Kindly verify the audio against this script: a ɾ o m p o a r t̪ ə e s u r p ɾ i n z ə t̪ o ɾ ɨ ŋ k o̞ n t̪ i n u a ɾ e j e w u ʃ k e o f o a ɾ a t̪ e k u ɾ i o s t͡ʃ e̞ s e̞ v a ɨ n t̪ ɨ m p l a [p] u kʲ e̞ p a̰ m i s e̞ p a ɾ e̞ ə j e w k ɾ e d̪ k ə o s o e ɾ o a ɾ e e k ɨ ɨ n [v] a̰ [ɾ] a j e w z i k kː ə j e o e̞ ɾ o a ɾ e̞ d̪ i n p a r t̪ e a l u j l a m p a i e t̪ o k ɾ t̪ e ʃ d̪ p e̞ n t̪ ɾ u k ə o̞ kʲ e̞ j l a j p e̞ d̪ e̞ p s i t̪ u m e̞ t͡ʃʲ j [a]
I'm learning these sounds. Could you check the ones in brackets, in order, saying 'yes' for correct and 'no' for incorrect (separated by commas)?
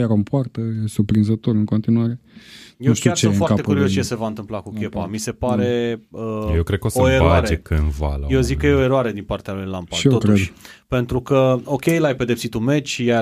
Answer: no, yes, no, yes